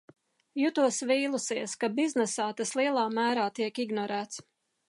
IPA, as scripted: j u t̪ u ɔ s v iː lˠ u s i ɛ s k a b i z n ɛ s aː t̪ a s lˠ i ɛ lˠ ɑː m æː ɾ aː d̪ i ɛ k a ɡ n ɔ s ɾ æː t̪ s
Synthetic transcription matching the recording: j u t̪ u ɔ s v iː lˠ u s i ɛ s k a b i z n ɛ s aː t̪ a s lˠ i ɛ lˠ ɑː m æː ɾ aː t̪ i ɛ k i ɡ n ɔ ɾ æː t̪ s